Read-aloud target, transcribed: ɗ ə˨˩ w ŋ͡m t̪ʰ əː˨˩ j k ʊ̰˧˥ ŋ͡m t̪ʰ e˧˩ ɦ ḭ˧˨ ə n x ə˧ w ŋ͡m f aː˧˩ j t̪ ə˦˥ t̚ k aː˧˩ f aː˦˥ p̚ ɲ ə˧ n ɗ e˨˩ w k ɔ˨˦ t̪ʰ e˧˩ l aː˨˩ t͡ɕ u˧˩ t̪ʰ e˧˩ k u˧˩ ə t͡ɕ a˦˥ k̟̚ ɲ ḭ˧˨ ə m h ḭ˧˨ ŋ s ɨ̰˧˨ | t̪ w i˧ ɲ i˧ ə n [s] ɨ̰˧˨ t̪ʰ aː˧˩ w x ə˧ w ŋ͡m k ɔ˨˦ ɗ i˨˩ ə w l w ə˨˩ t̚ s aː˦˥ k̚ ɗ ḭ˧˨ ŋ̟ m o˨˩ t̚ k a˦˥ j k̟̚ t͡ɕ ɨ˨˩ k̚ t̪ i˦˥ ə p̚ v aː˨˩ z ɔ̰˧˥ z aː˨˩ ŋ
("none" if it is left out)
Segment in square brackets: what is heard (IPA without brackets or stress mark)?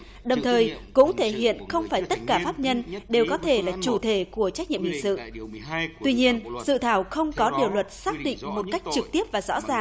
s